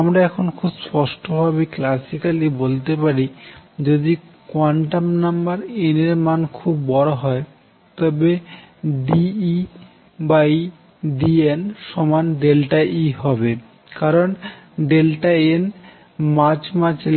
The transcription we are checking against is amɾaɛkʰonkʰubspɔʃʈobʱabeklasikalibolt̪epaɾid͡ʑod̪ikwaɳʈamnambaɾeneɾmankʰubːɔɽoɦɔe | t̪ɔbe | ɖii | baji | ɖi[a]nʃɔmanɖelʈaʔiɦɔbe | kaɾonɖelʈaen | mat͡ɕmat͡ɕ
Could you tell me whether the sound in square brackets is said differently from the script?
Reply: yes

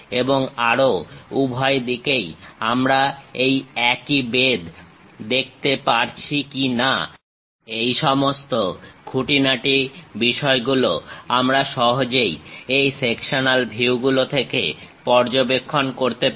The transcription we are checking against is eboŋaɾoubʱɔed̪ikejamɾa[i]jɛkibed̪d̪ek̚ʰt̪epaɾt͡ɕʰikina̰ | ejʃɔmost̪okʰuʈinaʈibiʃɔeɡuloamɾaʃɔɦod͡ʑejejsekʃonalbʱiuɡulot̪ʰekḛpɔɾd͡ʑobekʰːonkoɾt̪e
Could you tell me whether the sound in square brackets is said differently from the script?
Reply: yes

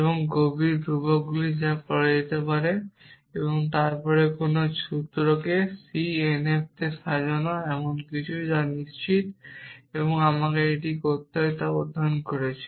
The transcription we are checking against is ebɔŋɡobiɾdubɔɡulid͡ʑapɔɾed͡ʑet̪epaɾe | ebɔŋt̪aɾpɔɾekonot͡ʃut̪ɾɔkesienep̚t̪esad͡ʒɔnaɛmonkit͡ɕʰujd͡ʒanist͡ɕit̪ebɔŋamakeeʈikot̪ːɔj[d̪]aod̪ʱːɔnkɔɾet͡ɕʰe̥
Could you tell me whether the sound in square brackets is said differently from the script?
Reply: yes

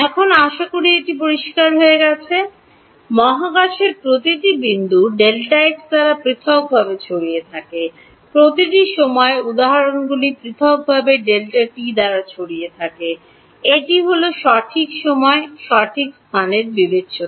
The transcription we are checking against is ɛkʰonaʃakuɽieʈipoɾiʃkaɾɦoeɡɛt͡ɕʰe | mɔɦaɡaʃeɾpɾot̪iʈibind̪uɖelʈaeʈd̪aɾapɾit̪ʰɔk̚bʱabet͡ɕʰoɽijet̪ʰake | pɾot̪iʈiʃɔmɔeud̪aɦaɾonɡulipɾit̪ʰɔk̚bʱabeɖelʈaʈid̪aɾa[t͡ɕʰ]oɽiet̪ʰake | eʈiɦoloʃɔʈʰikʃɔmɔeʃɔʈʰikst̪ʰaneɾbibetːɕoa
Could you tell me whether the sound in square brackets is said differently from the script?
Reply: no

